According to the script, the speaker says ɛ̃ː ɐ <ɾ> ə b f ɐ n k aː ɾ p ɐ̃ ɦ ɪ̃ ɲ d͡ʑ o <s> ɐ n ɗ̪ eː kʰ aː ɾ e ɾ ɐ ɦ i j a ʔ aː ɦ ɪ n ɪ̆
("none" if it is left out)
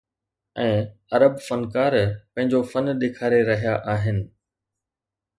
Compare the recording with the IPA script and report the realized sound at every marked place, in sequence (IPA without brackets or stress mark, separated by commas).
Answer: ɾ, f